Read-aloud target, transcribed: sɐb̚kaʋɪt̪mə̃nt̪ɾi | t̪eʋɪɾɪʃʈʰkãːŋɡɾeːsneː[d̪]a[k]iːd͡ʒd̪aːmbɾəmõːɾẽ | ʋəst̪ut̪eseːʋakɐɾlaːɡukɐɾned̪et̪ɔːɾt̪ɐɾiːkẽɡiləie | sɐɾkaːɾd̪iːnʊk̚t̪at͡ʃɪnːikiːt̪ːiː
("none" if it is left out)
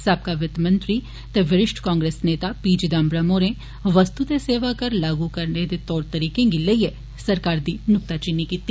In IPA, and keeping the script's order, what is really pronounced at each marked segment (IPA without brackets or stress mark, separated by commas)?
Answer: t̪, p